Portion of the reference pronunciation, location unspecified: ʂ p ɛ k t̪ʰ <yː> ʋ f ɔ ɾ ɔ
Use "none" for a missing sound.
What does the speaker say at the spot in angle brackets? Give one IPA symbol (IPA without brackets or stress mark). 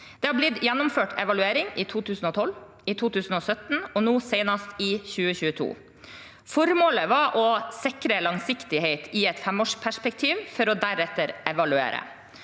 iː